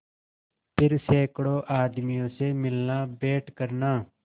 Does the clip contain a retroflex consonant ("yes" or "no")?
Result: yes